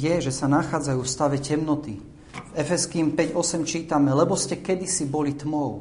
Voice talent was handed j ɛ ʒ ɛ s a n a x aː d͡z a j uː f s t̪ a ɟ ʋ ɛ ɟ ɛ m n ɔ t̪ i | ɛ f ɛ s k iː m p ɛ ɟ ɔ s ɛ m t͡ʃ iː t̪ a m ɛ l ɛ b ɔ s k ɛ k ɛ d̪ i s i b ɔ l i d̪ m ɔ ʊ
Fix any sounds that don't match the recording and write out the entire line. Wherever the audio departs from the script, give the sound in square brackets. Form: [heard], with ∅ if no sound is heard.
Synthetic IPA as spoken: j ɛ ʒ ɛ s a n a x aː d͡z a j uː f s t̪ a [∅] ʋ ɛ [c] ɛ m n ɔ t̪ i | ɛ f ɛ s k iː m p ɛ ɟ ɔ s ɛ m t͡ʃ iː t̪ a m ɛ l ɛ b ɔ s [c] ɛ k ɛ d̪ i s i b ɔ l i [t̪] m ɔ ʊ